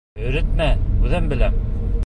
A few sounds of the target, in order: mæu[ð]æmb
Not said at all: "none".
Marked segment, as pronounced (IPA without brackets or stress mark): ð